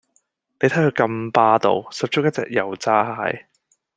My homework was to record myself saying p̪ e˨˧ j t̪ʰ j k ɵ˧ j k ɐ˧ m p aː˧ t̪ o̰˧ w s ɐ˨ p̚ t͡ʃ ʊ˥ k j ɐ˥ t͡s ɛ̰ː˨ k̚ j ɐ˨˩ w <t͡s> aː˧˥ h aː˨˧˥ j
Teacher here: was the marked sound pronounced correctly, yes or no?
yes